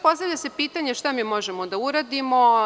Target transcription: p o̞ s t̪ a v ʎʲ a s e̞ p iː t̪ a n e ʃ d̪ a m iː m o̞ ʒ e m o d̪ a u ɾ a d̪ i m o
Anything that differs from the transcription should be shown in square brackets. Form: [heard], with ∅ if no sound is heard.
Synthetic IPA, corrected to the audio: p o̞ s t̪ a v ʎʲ a s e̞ p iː t̪ a [ɲ] e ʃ [t̪] a m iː m o̞ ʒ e m o d̪ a u ɾ a d̪ i m o